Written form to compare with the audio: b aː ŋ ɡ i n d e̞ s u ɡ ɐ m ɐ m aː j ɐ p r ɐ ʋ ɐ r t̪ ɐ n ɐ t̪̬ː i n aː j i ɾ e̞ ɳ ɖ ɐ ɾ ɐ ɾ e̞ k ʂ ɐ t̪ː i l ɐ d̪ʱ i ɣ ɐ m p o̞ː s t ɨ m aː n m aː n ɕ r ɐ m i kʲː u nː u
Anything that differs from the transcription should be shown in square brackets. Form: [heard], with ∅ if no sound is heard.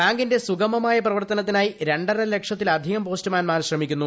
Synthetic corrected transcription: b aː ŋ ɡ i n d e̞ s u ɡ ɐ m ɐ m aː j ɐ p r ɐ ʋ ɐ r t̪ ɐ n ɐ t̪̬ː i n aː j i ɾ e̞ ɳ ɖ ɐ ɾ ɐ [l] e̞ k ʂ ɐ t̪ː i l ɐ d̪ʱ i ɣ ɐ m p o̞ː s t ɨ m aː n m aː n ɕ r ɐ m i kʲː u nː u